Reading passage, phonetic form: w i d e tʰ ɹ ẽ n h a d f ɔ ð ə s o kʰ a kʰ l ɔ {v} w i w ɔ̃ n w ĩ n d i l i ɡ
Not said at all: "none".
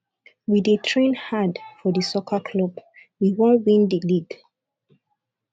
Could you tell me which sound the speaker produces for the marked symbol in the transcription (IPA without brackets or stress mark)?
b